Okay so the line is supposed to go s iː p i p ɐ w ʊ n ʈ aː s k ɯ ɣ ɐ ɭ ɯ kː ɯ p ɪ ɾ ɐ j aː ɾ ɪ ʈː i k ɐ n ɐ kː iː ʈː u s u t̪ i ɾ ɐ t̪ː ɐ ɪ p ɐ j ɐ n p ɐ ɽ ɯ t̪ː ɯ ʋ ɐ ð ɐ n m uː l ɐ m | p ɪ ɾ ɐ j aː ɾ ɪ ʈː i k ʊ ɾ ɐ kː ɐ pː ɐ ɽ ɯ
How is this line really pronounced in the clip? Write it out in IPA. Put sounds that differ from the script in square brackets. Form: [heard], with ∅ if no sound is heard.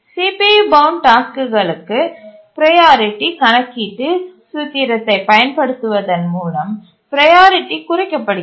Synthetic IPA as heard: s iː p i [b] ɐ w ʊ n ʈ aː s k ɯ ɣ ɐ ɭ ɯ kː ɯ p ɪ ɾ ɐ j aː ɾ ɪ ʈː i k ɐ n ɐ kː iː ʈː [ɯ] s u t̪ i ɾ ɐ t̪ː ɐ ɪ p ɐ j ɐ n p ɐ ɽ ɯ t̪ː ɯ ʋ ɐ ð ɐ n m uː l ɐ m | p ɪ ɾ ɐ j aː ɾ ɪ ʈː i k ʊ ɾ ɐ kː ɐ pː ɐ ɽ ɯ